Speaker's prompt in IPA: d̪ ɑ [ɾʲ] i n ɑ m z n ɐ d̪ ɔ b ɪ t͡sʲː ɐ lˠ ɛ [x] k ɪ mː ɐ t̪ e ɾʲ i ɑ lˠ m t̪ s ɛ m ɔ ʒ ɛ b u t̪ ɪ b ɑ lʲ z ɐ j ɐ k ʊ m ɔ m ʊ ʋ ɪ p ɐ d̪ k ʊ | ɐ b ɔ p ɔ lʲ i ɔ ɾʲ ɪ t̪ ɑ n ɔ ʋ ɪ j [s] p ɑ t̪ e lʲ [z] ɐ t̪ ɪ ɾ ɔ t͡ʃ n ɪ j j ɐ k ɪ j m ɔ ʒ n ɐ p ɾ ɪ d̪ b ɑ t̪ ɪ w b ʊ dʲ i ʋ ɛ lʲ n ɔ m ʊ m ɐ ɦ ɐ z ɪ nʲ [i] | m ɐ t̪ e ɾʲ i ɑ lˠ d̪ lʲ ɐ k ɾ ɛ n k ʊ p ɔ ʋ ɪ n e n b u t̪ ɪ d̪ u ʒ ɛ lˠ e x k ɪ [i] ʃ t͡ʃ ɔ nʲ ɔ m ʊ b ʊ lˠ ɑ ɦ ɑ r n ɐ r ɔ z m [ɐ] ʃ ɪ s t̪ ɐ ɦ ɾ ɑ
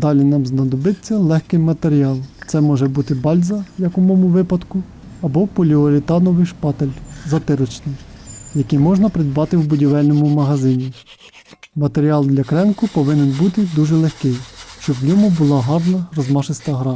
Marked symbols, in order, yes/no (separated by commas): no, yes, no, yes, yes, no, no